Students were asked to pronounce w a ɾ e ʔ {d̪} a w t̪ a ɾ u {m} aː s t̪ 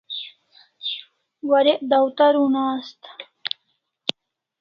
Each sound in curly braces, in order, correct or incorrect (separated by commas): correct, incorrect